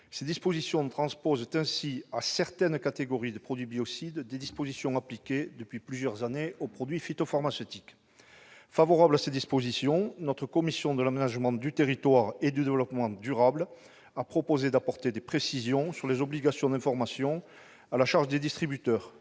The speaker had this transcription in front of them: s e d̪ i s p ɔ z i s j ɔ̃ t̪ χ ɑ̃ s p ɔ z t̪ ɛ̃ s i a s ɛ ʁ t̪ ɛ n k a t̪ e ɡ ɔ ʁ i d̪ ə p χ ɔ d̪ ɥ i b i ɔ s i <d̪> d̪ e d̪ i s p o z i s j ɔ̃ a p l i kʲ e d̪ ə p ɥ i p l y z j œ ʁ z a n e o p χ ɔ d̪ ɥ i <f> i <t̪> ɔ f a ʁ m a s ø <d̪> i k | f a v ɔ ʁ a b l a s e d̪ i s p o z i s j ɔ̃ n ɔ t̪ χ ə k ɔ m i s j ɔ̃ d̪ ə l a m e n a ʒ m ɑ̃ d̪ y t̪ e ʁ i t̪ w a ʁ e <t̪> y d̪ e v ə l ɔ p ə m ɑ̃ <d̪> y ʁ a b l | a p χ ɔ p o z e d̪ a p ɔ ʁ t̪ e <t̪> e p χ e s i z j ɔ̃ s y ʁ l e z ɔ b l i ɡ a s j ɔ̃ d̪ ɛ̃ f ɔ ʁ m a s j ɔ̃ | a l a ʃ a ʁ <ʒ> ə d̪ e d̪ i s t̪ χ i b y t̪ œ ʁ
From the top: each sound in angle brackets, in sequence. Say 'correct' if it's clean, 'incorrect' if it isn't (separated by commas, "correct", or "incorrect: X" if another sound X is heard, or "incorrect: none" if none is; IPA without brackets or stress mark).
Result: correct, correct, correct, incorrect: t̪, incorrect: d̪, correct, incorrect: d̪, correct